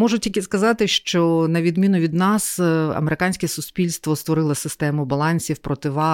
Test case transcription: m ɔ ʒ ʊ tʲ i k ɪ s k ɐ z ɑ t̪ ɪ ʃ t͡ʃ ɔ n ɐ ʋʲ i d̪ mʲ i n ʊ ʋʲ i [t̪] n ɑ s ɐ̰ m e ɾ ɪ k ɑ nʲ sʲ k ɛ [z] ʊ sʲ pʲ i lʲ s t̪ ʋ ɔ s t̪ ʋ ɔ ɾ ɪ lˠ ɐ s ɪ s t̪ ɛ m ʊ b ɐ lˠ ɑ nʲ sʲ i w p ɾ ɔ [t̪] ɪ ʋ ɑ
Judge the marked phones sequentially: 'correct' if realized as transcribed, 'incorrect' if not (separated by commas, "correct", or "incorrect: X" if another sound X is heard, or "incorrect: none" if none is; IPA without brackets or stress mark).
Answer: incorrect: d̪, incorrect: s, correct